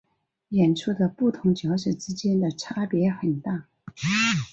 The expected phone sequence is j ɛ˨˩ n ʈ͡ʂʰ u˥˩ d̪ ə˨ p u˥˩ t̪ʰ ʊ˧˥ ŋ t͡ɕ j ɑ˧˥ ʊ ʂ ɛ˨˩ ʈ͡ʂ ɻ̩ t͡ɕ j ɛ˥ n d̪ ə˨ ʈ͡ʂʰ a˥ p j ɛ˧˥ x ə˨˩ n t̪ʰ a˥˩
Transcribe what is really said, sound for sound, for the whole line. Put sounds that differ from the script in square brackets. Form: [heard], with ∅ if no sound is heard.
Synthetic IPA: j ɛ˨˩ n ʈ͡ʂʰ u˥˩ d̪ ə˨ p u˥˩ t̪ʰ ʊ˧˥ ŋ t͡ɕ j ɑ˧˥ ʊ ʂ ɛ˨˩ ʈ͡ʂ ɻ̩ t͡ɕ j ɛ˥ n d̪ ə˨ ʈ͡ʂʰ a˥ p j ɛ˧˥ x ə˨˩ n [t̪] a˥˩